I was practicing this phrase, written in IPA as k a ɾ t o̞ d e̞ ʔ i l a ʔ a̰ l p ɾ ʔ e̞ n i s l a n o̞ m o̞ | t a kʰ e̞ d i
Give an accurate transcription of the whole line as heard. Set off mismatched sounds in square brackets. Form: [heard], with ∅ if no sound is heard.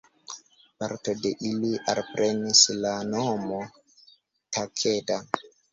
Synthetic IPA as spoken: [p] a ɾ t o̞ d e̞ ʔ i l [i] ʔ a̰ l p ɾ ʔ e̞ n i s l a n o̞ m o̞ | t a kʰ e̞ d [a]